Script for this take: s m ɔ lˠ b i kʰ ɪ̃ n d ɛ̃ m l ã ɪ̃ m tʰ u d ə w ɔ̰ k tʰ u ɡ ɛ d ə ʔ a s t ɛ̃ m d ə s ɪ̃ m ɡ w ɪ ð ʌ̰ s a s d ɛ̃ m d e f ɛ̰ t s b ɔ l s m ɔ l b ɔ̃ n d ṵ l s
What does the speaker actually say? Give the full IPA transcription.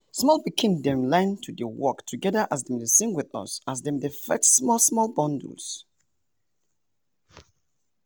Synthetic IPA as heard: s m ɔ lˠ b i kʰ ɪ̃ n d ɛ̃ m l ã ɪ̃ n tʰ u d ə w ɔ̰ k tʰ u ɡ ɛ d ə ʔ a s d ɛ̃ m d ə s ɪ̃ ŋ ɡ w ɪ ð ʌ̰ s a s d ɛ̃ m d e f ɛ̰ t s m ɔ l s m ɔ l b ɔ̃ n d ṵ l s

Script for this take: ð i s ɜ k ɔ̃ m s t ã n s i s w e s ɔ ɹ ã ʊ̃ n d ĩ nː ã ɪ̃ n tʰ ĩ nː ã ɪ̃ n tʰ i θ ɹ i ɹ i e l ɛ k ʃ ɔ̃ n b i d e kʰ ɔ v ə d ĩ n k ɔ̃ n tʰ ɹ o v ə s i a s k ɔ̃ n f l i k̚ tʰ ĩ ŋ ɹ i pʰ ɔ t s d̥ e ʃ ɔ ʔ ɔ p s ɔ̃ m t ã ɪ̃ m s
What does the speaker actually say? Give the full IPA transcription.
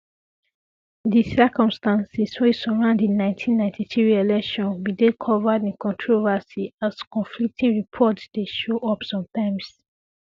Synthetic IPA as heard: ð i s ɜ k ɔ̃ m s t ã n s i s w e s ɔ ɹ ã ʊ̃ n d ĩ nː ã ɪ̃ n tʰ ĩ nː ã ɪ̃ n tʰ i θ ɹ i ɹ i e l ɛ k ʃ ɔ̃ n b i d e kʰ ɔ v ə d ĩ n k ɔ̃ n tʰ ɹ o v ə s i a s k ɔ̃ n f l i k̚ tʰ ĩ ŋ ɹ i pʰ ɔ t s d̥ e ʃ o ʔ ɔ p s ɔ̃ m t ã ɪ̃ m s

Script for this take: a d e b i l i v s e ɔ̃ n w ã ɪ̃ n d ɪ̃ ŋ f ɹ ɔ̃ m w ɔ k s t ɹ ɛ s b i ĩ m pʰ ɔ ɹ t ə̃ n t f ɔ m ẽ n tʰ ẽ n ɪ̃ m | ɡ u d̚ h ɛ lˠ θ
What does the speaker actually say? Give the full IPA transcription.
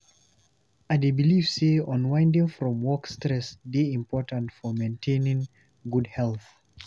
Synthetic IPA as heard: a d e b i l i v s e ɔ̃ n w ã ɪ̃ n d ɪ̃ ŋ f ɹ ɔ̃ m w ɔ k s t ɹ ɛ s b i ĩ m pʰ ɔ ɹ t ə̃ n t f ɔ m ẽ n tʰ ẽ n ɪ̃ ŋ | ɡ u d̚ h ɛ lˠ θ

